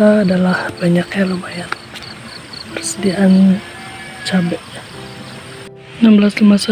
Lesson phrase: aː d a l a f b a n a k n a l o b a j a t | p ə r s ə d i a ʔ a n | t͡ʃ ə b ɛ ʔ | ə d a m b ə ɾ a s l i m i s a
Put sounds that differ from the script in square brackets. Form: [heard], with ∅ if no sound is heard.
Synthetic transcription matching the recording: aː d a l a [h] b a [ɲ] a k [ɲ] a l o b a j a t | p ə r s ə d i a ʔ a n | t͡ʃ [a] b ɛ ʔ | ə [n] a m b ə [l] a s l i m [a] s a